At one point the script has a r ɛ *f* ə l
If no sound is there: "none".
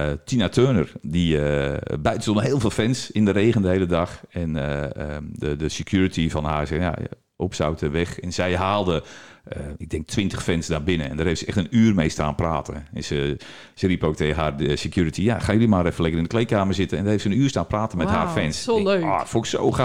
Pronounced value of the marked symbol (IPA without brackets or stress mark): f